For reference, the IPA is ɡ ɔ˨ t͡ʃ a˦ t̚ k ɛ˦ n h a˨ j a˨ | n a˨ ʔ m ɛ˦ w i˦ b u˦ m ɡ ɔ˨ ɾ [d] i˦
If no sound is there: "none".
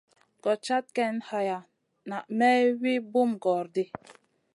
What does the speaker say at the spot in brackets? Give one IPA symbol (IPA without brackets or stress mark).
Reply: d